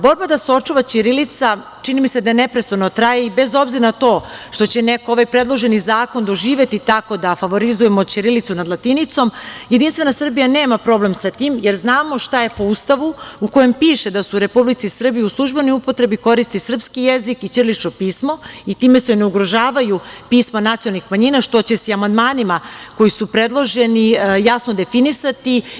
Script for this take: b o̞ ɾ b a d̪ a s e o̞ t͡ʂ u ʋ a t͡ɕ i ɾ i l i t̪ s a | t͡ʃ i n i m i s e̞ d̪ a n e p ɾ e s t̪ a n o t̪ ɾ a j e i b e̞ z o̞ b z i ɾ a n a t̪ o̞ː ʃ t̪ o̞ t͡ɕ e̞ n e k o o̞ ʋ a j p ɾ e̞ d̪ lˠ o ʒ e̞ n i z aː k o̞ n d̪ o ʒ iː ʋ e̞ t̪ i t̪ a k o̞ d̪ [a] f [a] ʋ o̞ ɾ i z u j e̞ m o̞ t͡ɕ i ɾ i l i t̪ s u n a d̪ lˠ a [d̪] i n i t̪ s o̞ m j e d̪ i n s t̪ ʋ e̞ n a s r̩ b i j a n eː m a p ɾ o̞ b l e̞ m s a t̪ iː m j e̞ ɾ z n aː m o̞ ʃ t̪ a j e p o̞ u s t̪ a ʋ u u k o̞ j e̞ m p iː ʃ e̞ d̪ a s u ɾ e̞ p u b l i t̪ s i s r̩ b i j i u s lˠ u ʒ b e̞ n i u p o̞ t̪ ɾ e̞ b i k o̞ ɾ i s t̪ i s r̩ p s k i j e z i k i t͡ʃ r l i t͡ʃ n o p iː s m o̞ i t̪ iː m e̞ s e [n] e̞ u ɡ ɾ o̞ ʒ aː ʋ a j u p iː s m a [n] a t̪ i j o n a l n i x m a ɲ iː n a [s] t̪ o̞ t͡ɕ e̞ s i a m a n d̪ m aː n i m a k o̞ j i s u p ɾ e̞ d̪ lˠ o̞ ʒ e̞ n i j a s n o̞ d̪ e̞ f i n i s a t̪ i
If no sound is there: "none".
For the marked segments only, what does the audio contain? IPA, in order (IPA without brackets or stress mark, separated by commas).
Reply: a, a, t̪, n, n, ʃ